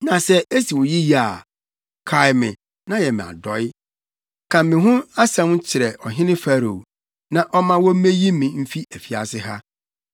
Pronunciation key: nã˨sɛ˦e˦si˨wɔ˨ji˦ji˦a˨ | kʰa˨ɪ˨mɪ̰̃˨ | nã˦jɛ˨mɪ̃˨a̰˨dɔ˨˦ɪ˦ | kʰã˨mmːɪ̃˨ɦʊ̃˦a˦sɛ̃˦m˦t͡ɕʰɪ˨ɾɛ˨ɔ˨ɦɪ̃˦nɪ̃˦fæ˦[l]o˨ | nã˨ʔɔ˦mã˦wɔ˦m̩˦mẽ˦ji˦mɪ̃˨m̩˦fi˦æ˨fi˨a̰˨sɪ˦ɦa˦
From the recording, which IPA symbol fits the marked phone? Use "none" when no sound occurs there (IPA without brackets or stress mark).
ɾ